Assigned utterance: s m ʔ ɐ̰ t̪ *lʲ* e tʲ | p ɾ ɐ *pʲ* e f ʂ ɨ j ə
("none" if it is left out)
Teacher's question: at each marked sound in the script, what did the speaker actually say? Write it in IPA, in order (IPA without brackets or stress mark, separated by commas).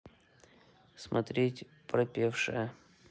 ɾʲ, pʲ